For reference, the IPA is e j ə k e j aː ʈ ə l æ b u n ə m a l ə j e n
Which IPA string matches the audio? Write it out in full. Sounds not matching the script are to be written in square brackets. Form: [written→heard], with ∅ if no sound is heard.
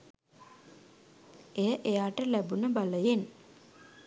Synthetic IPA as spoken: e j ə [k→ʔ] e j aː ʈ ə l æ b u n ə [m→b] a l ə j e n